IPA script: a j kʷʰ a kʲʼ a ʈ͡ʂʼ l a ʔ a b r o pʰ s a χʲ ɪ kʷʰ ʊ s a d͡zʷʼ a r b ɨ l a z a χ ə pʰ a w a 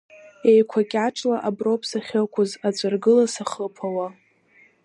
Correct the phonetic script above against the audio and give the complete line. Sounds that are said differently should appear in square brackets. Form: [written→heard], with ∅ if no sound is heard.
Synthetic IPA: [a→e] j kʷʰ a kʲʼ a ʈ͡ʂʼ l a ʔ a b r o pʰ s a χʲ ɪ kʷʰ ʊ [s→z] a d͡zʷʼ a r [b→ɡ] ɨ l a [z→s] a χ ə pʰ a w a